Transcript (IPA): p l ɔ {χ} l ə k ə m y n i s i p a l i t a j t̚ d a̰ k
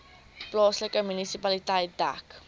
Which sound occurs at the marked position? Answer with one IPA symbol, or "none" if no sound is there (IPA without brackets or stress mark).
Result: s